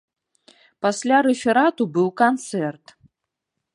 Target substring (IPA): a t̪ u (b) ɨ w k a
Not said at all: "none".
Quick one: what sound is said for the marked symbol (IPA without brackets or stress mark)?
b